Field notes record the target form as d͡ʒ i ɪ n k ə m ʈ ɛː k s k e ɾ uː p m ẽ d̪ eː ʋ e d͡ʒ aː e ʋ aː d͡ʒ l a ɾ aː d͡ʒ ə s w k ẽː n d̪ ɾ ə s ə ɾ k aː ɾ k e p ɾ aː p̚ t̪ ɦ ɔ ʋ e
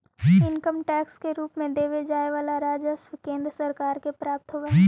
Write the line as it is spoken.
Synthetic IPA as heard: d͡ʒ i ɪ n k ə m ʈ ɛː k s k e ɾ uː p m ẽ d̪ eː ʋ e d͡ʒ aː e ʋ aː l a ɾ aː d͡ʒ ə s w k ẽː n d̪ ɾ ə s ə ɾ k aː ɾ k e p ɾ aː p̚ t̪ ɦ o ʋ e